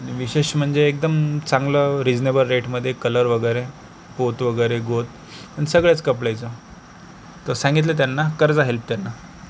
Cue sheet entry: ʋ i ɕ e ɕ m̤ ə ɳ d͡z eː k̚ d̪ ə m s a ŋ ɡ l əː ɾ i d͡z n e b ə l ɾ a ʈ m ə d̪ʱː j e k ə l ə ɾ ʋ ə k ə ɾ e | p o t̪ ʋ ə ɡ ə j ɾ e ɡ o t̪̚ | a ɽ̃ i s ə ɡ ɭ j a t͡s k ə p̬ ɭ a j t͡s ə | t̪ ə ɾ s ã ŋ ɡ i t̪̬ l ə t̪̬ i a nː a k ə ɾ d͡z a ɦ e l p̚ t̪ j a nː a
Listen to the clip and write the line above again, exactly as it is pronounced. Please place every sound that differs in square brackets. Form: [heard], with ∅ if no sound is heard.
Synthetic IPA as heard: ʋ i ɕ e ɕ m̤ ə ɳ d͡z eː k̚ d̪ ə m [t͡s] a ŋ ɡ l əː ɾ i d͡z n e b ə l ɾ [e] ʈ m ə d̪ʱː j e k ə l ə ɾ ʋ ə [ɡ] ə ɾ e | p o t̪ ʋ ə ɡ ə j ɾ e ɡ o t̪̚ | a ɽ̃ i s ə ɡ ɭ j a t͡s k ə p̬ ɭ a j t͡s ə | t̪ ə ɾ s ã ŋ ɡ i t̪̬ l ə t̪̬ [j] a nː a k ə ɾ d͡z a ɦ e l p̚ t̪ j a nː a